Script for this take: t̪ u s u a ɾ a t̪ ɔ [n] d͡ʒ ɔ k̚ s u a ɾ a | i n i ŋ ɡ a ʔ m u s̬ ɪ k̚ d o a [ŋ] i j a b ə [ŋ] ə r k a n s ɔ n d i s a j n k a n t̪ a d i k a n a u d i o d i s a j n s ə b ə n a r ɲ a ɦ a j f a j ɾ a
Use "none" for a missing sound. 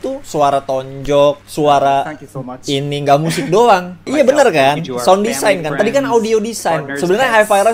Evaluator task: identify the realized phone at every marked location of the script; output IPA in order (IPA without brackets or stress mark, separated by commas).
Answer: ɲ, ŋ, n